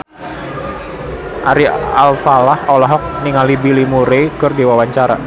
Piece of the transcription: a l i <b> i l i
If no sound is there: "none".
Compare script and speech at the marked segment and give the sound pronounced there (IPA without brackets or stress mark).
b